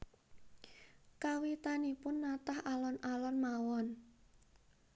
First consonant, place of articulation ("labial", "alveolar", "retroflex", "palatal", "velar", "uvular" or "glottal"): velar